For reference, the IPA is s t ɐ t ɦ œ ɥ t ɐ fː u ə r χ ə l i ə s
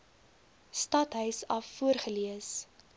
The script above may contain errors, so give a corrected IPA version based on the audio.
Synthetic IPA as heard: s t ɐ t ɦ œ ɥ s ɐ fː u ə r χ ə l i ə s